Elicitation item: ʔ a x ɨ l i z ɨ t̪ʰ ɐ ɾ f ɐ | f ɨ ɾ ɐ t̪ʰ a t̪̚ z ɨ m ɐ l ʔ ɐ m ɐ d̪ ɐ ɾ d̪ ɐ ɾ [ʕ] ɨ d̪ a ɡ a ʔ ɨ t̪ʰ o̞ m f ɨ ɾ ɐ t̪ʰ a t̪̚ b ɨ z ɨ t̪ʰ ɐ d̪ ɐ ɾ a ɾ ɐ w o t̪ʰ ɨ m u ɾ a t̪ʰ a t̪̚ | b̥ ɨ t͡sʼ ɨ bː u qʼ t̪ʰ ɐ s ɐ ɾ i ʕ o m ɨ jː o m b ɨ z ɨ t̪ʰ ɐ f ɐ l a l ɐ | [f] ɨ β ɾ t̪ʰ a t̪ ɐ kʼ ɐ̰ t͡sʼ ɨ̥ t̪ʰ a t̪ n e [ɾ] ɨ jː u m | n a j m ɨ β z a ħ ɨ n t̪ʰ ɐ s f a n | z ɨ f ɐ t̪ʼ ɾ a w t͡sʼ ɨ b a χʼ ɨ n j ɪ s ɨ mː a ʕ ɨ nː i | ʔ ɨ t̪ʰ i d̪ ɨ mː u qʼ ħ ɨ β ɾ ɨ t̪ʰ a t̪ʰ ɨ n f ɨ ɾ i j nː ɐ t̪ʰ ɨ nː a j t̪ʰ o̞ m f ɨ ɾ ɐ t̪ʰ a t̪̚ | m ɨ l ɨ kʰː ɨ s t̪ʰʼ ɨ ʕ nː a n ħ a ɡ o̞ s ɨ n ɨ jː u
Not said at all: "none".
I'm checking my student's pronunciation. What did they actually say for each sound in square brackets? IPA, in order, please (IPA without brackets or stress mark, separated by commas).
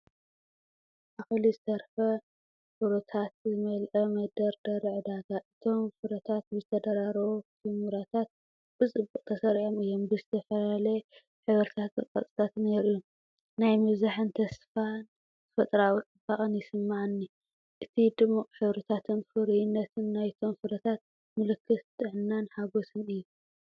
ʕ, ħ, ɾ